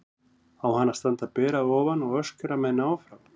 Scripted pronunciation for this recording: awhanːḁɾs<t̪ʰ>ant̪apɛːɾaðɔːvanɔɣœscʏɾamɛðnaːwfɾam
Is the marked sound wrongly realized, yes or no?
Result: yes